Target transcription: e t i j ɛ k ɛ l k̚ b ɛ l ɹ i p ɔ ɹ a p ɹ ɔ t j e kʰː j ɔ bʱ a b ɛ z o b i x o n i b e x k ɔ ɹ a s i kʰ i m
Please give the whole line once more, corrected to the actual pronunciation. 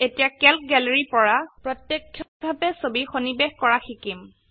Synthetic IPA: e t i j a k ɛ l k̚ ɡ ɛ l ɹ i p ɔ ɹ a p ɹ ɔ t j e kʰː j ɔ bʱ a b ɛ s o b i x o n i b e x k ɔ ɹ a x i k i m